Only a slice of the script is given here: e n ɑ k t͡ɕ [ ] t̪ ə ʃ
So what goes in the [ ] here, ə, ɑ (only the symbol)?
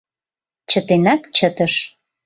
ə